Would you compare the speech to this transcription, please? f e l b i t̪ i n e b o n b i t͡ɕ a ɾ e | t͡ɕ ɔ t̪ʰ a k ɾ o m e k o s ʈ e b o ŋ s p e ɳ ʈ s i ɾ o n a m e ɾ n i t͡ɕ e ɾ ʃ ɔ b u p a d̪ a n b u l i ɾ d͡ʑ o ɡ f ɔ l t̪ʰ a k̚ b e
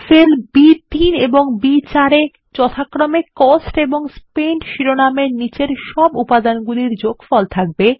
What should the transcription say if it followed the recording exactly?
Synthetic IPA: f e l b i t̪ i n e b o ŋ b i t͡ɕ a ɾ e | t͡ɕ ɔ t̪ʰ a k ɾ o m e k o s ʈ e b o ŋ s p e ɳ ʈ ʃ i ɾ o n a m e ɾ n i t͡ɕ e ɾ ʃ ɔ b u p a d̪ a n ɡ u l i ɾ d͡ʑ o ɡ f ɔ l t̪ʰ a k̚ b e